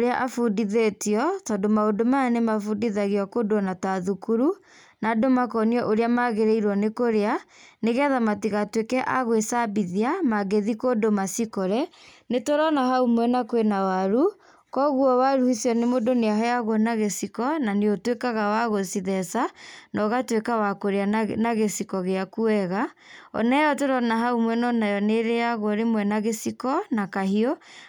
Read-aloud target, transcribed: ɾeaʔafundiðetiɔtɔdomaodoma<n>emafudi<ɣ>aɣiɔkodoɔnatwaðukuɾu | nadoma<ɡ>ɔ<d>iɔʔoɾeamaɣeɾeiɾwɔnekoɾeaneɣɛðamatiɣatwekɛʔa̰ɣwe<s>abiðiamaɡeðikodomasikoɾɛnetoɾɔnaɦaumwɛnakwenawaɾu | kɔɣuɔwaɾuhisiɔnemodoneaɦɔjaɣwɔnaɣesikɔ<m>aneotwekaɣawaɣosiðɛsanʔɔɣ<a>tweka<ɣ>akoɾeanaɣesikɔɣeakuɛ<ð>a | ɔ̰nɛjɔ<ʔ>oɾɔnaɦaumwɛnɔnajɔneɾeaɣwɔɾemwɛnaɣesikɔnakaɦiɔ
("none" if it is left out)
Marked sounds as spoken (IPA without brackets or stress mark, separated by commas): n, ð, k, n, s, n, a, w, ɣ, t